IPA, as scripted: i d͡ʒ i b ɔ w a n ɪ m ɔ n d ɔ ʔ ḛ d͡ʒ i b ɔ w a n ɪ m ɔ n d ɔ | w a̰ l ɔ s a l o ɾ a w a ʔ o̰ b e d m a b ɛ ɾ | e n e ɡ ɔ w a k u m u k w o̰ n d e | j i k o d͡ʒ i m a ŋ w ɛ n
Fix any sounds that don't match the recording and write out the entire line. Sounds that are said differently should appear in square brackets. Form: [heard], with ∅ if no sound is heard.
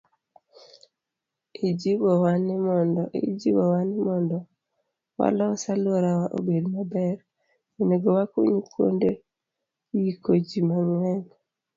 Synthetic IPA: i d͡ʒ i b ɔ w a n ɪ m ɔ n d ɔ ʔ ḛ d͡ʒ i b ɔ w a n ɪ m ɔ n d ɔ | w a̰ l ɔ s a l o ɾ a w a ʔ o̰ b e d m a b ɛ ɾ | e n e ɡ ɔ w a k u [ɲ] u k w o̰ n d e | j i k o d͡ʒ i m a ŋ w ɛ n